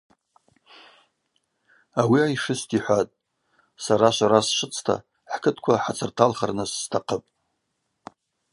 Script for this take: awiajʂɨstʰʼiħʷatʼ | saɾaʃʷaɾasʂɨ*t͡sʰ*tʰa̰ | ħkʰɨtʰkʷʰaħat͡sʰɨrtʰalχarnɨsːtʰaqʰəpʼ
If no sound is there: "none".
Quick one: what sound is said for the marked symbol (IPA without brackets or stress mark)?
t͡sʰ